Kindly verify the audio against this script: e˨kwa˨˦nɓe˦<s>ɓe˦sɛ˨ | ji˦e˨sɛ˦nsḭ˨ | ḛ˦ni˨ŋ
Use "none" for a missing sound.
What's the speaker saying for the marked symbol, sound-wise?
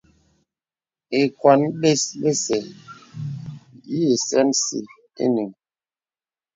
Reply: s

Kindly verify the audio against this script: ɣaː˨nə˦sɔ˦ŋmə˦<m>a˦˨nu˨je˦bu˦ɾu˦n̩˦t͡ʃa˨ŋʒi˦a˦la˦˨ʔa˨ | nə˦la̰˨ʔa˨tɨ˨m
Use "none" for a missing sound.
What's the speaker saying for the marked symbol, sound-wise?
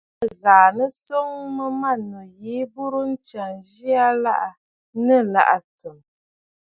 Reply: m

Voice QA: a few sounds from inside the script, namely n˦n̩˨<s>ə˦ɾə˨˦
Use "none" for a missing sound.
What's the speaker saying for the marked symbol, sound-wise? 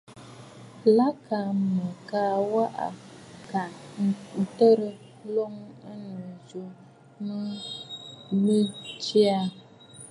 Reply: t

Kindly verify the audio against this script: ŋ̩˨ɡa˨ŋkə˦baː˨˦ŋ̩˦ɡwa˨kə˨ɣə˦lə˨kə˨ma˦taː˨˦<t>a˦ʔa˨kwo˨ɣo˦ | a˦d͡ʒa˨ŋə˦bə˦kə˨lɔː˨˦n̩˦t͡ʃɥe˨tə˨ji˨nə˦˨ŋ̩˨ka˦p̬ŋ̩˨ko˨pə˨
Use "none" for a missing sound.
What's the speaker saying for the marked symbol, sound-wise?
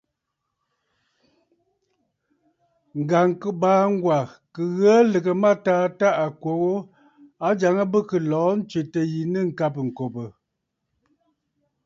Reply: t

